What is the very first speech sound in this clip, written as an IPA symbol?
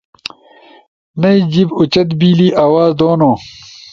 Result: n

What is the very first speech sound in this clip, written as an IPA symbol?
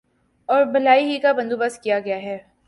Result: ɔː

